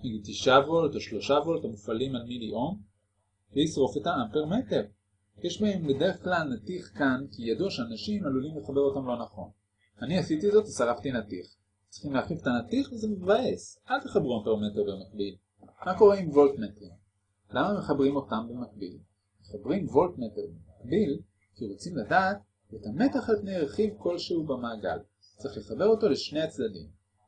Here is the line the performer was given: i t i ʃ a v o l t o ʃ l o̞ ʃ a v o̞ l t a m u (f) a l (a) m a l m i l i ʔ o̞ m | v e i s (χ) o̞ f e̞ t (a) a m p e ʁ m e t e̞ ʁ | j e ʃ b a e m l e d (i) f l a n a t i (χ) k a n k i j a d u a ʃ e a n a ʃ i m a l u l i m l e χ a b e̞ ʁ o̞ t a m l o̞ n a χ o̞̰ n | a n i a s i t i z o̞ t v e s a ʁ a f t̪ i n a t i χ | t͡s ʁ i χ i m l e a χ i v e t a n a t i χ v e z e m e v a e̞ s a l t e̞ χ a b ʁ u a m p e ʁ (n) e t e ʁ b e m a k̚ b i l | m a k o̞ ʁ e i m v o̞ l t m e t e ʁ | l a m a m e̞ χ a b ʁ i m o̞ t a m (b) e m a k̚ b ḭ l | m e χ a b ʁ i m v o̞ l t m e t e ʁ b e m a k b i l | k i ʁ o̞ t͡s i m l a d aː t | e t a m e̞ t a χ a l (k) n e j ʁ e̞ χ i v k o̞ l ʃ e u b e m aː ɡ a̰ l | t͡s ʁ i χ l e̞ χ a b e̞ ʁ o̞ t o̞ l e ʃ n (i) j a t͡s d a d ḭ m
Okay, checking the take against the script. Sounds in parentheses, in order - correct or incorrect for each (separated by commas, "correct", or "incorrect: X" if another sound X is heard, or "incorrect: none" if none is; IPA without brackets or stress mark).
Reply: correct, incorrect: i, incorrect: ʁ, correct, incorrect: e, correct, incorrect: m, correct, incorrect: p, incorrect: e